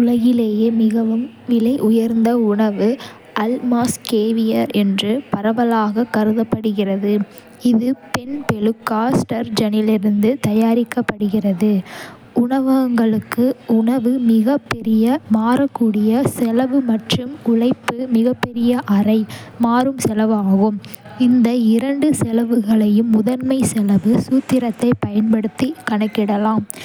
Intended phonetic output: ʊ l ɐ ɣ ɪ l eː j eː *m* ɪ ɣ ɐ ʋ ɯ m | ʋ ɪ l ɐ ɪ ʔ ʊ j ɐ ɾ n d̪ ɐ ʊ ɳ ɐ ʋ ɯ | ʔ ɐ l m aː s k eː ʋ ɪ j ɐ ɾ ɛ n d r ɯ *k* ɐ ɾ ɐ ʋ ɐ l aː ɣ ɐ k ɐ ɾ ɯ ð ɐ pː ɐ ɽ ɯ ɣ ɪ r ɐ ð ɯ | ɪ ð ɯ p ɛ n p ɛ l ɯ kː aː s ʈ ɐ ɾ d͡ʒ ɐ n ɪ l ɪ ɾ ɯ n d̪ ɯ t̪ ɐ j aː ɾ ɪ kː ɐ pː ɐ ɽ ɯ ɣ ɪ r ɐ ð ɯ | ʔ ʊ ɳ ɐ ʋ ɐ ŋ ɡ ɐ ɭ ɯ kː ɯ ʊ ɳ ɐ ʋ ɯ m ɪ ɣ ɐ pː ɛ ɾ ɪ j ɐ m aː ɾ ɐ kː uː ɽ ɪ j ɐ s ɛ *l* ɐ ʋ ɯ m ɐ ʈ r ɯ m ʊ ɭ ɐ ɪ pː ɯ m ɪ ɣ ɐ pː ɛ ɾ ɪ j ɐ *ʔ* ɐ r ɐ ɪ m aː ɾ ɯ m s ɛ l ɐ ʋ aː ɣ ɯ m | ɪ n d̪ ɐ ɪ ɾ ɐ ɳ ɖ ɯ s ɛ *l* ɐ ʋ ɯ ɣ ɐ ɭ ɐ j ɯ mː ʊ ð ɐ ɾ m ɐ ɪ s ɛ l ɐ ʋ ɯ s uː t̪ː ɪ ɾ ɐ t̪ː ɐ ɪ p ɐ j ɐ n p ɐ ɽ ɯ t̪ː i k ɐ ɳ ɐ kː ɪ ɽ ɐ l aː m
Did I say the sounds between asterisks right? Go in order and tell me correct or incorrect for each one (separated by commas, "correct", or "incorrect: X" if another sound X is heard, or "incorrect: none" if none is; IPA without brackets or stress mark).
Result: correct, incorrect: p, correct, correct, correct